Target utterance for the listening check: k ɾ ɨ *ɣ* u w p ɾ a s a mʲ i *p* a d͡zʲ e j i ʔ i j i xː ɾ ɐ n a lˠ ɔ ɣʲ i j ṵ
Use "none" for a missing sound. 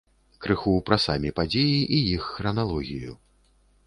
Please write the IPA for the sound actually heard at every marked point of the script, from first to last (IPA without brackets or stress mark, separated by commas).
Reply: x, p